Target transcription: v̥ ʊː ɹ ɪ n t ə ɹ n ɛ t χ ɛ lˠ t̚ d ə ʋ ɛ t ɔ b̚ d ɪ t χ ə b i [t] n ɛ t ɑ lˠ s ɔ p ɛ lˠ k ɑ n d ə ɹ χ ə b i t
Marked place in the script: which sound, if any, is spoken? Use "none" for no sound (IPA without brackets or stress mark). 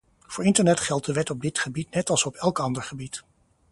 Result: t